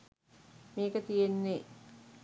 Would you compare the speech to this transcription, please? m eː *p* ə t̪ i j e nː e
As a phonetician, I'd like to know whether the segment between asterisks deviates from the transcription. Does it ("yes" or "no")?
yes